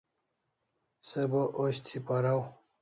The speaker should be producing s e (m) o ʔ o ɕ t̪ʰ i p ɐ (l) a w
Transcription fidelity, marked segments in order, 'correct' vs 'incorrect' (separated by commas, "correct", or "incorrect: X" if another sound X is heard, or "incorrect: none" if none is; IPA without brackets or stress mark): incorrect: b, incorrect: ɾ